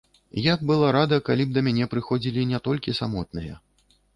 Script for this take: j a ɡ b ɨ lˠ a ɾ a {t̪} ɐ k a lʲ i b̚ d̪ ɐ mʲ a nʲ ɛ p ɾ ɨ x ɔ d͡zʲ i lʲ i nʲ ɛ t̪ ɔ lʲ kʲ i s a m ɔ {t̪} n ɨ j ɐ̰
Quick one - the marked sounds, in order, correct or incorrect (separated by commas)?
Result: incorrect, correct